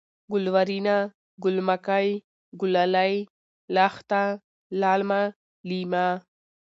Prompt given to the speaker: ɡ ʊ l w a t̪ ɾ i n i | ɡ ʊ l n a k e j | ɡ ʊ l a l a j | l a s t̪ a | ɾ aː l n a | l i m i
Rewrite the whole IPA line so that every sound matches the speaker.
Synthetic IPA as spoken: ɡ ʊ l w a ɾ i n a | ɡ ʊ l m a k a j | ɡ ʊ l a l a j | l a x t̪ a | l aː l m a | l i m a